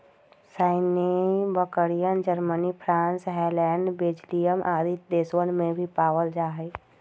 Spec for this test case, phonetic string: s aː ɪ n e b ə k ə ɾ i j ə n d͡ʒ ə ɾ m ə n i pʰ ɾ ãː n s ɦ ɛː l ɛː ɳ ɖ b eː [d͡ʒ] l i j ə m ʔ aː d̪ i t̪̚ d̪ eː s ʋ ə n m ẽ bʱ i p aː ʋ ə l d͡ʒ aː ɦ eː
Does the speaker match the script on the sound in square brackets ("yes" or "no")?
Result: yes